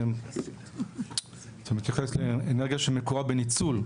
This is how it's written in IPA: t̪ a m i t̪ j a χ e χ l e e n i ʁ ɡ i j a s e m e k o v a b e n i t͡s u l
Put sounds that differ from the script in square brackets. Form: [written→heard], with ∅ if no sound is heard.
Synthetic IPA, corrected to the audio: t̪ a m i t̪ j a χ e [χ→s] l e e n [i→e] ʁ ɡ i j a [s→ʃ] e m e k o [v→ʁ] a b e n i t͡s u l